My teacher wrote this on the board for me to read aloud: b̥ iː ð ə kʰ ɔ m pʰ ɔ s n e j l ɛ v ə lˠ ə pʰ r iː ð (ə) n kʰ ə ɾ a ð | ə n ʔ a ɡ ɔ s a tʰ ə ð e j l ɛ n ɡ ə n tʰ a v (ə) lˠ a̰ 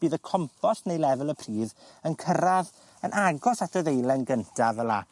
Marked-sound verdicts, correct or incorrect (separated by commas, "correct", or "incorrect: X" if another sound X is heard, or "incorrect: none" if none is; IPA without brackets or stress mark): correct, correct